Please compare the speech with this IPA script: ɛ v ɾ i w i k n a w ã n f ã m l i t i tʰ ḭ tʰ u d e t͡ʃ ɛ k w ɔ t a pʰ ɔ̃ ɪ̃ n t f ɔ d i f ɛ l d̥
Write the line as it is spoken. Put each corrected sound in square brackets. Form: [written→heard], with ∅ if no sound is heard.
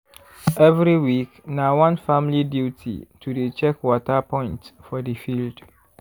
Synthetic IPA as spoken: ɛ v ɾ i w i k n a w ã n f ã m l i [t→d] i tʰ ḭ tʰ u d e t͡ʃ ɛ k w ɔ t a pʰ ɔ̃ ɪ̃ n t f ɔ d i f [ɛ→i] l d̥